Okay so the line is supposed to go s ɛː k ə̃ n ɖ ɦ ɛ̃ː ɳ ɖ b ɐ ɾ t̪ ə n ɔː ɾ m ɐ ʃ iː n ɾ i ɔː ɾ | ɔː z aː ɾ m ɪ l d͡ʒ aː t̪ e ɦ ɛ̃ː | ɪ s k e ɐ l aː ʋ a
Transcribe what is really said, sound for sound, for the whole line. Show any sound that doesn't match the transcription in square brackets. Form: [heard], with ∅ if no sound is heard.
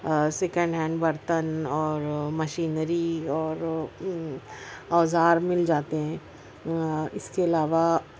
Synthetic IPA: s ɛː k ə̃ [ɳ] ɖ ɦ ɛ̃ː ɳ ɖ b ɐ ɾ t̪ ə n ɔː ɾ m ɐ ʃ iː n ɾ i ɔː ɾ | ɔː z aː ɾ m ɪ l d͡ʒ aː t̪ e ɦ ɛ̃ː | ɪ s k e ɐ l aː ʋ a